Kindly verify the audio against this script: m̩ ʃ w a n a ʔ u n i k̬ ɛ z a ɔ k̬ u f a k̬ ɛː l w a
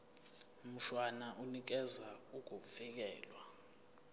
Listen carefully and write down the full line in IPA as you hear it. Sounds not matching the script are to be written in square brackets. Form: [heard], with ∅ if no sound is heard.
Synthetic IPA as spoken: m̩ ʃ w a n a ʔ u n i k̬ ɛ z a [u] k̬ u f [i] k̬ ɛː l w a